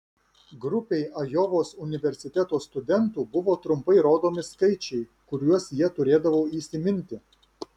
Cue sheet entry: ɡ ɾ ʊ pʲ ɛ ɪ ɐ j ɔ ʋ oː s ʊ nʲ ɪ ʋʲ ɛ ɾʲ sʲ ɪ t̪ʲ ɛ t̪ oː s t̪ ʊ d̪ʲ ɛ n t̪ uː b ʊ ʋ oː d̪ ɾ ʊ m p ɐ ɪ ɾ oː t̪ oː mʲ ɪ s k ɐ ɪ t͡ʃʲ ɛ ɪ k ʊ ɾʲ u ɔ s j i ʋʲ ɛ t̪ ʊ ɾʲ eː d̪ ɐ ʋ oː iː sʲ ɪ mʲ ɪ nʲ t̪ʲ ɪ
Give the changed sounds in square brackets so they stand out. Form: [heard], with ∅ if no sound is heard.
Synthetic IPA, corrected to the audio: ɡ ɾ ʊ pʲ ɛ ɪ ɐ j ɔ ʋ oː s ʊ nʲ ɪ ʋʲ ɛ ɾʲ sʲ ɪ t̪ʲ ɛ t̪ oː s t̪ ʊ d̪ʲ ɛ n t̪ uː b ʊ ʋ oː [t̪] ɾ ʊ m p ɐ ɪ ɾ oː [d̪] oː mʲ ɪ s k ɐ ɪ t͡ʃʲ ɛ ɪ k ʊ ɾʲ u ɔ s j i [∅] ɛ t̪ ʊ ɾʲ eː d̪ ɐ ʋ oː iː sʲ ɪ mʲ ɪ nʲ t̪ʲ ɪ